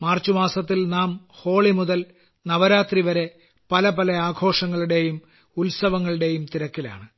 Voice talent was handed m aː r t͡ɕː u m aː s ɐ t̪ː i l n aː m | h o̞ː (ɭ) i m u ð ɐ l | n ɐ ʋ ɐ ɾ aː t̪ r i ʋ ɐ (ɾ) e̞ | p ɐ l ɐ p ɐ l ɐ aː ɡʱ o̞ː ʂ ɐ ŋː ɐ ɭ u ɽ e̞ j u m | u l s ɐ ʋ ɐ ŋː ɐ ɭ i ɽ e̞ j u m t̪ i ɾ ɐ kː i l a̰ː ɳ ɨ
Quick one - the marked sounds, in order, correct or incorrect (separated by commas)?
correct, correct